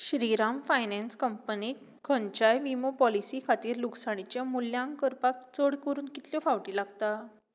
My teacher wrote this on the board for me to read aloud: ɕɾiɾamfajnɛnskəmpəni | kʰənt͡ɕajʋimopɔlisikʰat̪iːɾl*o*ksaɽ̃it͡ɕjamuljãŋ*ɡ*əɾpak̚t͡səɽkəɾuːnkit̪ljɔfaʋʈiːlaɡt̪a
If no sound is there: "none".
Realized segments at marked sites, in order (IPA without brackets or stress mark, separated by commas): u, k